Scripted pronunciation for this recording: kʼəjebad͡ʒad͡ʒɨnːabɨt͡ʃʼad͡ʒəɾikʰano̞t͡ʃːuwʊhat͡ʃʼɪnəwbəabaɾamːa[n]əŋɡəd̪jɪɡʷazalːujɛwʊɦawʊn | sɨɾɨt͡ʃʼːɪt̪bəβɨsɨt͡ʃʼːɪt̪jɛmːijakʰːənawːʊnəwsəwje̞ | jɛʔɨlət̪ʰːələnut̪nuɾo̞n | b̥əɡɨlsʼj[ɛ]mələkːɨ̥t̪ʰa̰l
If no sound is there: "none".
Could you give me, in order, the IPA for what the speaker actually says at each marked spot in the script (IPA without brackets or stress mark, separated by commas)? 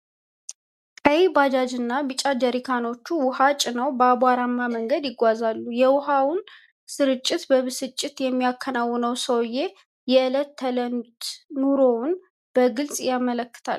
m, a